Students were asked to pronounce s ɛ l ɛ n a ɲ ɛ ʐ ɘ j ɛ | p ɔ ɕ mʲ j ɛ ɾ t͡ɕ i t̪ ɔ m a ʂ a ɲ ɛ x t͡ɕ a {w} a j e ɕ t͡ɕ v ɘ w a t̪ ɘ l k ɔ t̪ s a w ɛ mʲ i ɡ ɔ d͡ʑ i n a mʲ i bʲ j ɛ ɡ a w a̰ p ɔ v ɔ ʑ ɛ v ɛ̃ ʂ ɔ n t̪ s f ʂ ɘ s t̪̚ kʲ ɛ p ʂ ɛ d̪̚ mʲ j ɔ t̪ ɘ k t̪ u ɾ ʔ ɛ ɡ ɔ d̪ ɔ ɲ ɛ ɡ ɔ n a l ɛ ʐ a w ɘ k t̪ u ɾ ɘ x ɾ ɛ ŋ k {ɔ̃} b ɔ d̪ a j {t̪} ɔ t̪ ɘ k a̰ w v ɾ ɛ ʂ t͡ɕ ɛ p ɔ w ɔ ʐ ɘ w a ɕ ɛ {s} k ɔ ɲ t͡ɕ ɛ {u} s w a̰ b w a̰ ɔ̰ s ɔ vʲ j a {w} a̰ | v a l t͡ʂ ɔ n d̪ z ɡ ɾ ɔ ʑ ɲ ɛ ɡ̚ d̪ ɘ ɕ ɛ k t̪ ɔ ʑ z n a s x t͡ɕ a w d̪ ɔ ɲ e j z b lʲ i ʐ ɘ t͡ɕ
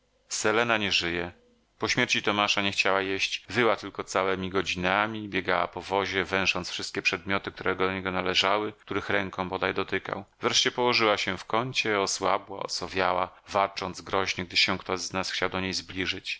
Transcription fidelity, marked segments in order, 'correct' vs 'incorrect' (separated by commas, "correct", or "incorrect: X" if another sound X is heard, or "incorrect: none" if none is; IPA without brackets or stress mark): correct, correct, incorrect: d̪, incorrect: f, incorrect: ɔ, correct